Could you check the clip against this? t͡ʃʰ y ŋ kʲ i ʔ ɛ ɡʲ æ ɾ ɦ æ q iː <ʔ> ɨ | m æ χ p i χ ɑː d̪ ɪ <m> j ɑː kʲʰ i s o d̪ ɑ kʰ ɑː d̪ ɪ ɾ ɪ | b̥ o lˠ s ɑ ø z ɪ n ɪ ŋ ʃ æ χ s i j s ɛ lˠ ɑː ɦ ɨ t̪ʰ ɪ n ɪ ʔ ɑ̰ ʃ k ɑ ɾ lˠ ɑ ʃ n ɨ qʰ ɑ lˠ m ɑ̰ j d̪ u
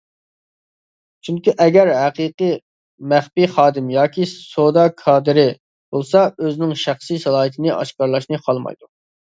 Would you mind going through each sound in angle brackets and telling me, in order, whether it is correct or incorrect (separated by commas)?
incorrect, correct